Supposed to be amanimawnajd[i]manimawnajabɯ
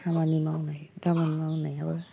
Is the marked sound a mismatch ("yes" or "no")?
yes